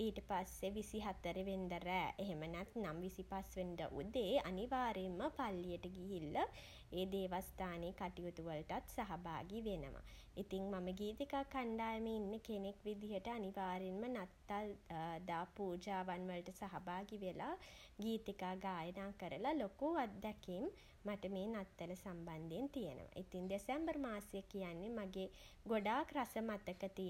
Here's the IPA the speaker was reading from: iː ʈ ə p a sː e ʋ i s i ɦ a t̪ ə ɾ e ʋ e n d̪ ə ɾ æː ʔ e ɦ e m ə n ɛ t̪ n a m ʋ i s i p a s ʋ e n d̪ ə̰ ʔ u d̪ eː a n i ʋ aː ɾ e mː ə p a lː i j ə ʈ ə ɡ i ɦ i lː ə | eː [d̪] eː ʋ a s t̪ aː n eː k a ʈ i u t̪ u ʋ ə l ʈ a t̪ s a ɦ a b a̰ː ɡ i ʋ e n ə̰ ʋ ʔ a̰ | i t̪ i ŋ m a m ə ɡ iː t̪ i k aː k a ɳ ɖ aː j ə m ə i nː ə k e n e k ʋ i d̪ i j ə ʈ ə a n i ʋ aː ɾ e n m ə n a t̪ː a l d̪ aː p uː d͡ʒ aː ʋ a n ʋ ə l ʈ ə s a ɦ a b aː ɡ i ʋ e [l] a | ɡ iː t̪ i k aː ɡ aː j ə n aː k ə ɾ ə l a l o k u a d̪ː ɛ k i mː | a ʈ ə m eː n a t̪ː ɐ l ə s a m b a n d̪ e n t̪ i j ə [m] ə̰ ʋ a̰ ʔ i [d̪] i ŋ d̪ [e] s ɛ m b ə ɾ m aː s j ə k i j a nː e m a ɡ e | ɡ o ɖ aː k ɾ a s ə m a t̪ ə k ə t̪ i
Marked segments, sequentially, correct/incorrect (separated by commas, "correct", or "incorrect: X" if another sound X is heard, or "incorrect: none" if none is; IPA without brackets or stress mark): correct, correct, incorrect: n, incorrect: t̪, correct